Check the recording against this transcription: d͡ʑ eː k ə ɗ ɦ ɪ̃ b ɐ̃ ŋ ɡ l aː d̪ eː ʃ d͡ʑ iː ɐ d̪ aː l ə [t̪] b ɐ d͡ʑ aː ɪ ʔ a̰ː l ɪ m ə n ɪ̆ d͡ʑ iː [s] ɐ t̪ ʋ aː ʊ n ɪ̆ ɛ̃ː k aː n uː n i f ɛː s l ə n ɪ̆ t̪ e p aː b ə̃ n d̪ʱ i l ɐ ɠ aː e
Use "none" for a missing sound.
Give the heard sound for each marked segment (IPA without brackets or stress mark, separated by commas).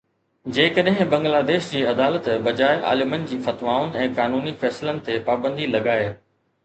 t̪, f